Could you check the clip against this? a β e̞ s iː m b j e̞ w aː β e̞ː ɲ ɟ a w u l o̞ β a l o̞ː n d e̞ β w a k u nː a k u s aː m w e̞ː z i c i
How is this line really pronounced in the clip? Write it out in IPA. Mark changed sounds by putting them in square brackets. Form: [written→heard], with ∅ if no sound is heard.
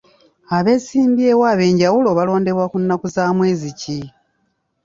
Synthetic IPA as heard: a β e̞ s iː m b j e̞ w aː β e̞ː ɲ ɟ a w u l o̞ β a l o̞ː n d e̞ β w a k u nː a k u [s→z] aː m w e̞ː z i c i